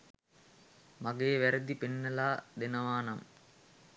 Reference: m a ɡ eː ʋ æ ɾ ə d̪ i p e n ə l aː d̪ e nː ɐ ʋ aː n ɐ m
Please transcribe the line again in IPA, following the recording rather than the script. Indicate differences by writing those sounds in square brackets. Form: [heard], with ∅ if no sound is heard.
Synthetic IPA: m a ɡ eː ʋ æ ɾ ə d̪ i p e [nː] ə l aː d̪ e [n] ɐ ʋ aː n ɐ m